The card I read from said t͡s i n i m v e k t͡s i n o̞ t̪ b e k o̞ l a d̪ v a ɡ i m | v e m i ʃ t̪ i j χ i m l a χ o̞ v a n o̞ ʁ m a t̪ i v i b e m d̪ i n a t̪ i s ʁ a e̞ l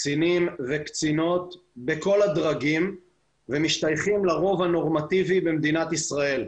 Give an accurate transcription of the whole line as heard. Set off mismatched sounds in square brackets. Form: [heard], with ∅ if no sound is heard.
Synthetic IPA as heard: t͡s i n i m v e k t͡s i n o̞ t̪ b e k o̞ l a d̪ [ʁ] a ɡ i m | v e m i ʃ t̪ [a] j χ i m l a [ʁ] o̞ v a n o̞ ʁ m a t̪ i v i b e m d̪ i n a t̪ i s ʁ a e̞ l